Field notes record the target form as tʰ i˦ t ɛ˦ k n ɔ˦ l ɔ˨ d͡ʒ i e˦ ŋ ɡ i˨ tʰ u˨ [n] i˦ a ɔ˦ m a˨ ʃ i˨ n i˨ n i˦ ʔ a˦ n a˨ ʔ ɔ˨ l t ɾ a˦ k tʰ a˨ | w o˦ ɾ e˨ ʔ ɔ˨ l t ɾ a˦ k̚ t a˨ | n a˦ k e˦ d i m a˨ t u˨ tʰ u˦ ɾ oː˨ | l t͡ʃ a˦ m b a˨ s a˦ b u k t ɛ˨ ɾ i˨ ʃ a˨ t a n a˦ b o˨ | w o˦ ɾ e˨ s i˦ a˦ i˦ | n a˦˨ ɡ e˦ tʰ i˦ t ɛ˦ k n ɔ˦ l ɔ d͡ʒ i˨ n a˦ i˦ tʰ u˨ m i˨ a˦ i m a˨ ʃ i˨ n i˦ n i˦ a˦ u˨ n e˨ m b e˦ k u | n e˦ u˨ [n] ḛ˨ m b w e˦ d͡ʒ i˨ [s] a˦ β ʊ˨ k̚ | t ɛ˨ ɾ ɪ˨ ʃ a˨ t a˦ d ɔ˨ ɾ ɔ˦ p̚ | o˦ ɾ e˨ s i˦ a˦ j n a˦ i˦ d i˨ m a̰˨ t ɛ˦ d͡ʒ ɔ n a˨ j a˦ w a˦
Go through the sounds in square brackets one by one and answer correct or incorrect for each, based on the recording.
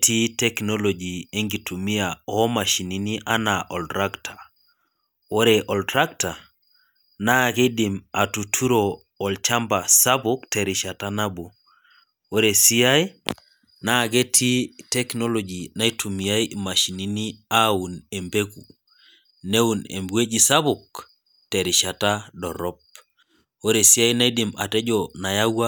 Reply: incorrect: m, correct, correct

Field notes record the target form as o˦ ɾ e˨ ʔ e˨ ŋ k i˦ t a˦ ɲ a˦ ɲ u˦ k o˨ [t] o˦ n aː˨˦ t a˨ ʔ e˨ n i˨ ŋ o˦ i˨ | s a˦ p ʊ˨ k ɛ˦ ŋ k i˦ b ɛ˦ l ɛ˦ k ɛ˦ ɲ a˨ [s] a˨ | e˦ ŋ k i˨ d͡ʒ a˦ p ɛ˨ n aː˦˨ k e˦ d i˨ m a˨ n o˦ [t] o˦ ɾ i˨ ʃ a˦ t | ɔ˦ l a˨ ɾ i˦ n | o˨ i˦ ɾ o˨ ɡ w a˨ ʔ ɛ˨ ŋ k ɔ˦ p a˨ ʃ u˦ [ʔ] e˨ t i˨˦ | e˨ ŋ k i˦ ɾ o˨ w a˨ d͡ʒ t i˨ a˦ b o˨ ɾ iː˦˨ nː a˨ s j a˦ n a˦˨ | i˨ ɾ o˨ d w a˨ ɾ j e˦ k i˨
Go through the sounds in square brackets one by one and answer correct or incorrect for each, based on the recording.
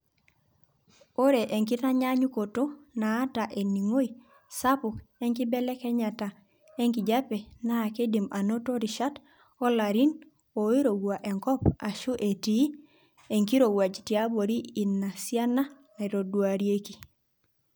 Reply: correct, incorrect: t, correct, correct

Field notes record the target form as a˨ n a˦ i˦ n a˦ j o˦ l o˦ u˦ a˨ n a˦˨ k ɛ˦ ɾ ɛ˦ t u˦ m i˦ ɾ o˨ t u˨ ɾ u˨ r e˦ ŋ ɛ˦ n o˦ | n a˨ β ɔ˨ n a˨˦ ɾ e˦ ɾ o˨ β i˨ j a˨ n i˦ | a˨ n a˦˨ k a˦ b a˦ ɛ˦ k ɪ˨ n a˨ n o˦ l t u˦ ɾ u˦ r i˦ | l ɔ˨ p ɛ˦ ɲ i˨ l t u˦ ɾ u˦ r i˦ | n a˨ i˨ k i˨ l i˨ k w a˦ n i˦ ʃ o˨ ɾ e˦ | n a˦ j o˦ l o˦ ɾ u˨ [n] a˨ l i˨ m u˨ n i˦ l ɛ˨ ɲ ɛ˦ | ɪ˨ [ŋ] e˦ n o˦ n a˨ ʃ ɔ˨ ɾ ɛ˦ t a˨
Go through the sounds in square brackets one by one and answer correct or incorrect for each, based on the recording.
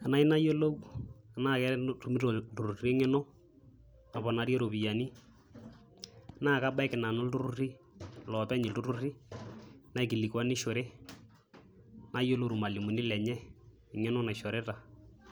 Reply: incorrect: m, correct

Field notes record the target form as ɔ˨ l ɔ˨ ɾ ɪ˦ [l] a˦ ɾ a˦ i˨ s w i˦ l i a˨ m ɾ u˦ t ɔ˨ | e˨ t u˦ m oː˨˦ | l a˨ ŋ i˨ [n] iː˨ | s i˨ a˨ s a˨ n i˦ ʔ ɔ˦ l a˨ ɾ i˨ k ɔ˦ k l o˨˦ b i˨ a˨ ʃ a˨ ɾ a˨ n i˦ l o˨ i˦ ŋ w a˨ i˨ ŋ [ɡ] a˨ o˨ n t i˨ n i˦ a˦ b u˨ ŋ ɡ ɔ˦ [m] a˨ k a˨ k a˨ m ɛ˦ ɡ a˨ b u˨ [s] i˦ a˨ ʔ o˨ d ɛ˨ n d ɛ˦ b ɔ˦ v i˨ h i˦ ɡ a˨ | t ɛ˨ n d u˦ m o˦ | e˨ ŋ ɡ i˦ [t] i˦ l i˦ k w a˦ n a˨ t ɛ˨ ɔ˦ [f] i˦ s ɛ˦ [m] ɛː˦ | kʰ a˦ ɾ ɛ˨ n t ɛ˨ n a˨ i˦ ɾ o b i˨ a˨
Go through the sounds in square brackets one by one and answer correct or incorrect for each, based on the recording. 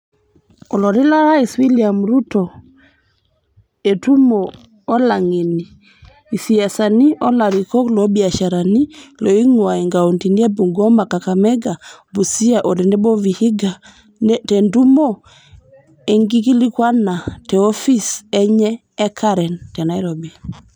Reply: correct, correct, correct, correct, correct, incorrect: k, correct, incorrect: ɲ

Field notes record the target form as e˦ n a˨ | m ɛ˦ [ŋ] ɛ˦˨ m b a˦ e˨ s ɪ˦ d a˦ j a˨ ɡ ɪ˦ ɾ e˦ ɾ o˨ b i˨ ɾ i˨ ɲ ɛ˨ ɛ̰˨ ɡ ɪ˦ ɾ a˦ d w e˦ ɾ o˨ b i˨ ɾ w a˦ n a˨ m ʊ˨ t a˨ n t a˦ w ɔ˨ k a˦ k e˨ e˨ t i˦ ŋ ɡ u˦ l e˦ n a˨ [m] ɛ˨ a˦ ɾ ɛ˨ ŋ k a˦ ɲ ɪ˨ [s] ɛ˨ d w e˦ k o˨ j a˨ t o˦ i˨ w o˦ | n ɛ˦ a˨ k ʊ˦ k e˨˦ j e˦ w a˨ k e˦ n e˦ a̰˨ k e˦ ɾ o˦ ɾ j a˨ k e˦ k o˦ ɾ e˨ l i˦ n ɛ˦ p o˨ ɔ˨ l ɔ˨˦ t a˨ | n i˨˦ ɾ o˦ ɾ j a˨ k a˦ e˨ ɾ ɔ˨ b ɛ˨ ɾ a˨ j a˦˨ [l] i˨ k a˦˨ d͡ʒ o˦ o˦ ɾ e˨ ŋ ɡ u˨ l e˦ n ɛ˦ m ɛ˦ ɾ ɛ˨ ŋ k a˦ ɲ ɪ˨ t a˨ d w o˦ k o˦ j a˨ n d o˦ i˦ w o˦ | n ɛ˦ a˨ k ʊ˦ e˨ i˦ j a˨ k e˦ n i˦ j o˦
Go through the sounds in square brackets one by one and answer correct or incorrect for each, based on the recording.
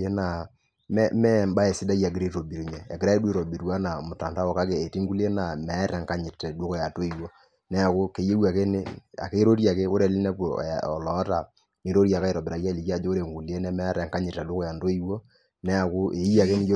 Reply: incorrect: m, correct, incorrect: t, correct

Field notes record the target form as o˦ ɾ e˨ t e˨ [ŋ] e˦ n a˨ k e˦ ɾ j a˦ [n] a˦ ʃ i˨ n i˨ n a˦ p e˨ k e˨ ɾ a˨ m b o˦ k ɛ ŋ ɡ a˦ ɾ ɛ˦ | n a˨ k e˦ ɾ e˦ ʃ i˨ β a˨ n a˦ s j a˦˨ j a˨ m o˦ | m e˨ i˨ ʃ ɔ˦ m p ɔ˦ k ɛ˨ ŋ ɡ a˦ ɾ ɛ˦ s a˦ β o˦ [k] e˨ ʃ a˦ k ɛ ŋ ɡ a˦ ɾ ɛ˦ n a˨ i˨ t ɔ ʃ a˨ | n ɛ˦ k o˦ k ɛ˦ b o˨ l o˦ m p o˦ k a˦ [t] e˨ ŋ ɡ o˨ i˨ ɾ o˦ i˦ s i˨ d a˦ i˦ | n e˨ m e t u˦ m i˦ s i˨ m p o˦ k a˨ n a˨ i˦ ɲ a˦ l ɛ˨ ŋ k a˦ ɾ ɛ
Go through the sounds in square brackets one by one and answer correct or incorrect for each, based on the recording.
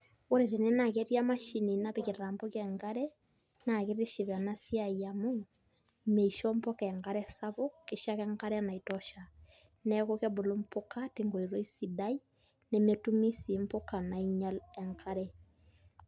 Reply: incorrect: n, incorrect: m, correct, correct

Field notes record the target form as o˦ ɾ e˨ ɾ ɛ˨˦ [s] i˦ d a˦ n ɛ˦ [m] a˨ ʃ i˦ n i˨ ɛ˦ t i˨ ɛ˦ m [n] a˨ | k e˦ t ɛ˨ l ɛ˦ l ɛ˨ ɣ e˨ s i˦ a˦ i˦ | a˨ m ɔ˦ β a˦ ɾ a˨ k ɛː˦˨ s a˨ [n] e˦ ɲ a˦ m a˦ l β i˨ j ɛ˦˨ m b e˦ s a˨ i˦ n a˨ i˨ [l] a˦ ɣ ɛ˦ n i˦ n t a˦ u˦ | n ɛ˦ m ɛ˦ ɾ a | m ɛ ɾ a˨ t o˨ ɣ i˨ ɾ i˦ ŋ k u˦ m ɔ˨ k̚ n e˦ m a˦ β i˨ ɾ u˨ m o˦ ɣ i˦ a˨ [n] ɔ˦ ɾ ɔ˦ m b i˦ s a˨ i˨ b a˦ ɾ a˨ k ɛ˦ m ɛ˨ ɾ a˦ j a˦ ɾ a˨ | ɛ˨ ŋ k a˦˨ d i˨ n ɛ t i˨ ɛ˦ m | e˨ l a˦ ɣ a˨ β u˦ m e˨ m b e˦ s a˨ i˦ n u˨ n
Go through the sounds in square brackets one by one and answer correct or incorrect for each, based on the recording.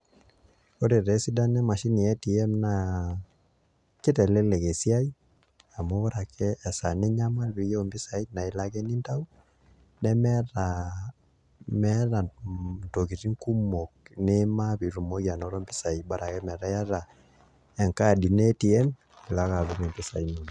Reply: correct, correct, correct, correct, correct, correct

